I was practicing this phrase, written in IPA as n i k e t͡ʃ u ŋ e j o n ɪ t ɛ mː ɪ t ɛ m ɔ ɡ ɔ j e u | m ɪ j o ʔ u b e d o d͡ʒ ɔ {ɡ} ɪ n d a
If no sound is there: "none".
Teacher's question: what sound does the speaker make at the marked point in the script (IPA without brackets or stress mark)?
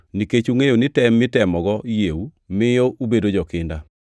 k